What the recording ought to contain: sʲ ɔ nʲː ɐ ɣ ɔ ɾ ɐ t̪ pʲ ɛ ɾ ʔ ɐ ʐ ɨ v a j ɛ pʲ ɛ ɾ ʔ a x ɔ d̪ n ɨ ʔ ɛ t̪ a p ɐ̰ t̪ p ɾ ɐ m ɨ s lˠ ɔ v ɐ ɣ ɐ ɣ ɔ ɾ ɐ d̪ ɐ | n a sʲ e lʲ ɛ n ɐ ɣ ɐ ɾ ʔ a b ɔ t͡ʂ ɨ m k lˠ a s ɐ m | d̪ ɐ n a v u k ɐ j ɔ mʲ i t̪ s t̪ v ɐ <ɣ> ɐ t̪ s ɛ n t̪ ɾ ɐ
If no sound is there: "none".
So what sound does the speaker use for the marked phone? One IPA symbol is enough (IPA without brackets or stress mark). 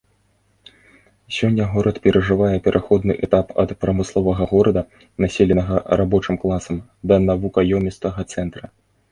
ɣ